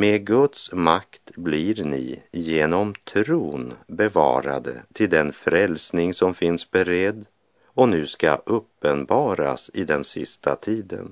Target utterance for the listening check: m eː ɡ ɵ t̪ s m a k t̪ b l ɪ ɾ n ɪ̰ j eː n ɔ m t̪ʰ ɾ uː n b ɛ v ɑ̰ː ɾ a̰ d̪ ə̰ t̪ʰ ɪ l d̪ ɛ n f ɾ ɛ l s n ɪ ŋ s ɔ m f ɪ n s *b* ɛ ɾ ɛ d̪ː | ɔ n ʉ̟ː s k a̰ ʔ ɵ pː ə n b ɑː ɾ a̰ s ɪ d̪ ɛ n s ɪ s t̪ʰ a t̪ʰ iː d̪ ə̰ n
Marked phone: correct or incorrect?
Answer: correct